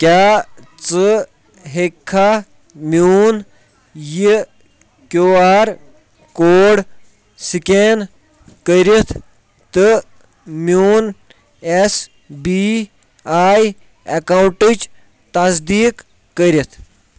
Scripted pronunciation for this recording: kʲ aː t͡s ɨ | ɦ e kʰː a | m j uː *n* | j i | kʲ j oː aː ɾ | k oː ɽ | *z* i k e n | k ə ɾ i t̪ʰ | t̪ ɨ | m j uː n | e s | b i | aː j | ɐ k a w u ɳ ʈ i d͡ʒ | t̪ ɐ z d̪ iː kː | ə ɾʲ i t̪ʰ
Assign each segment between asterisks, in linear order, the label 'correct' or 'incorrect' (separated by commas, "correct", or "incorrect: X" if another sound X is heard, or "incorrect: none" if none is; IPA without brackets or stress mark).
correct, incorrect: s